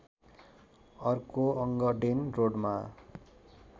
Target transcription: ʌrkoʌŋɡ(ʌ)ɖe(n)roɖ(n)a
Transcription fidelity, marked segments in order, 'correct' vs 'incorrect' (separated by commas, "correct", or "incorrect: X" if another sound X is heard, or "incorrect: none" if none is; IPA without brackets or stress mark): correct, correct, incorrect: m